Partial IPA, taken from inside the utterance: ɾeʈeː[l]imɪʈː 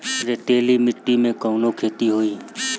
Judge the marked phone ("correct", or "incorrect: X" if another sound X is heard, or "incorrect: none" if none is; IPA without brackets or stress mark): correct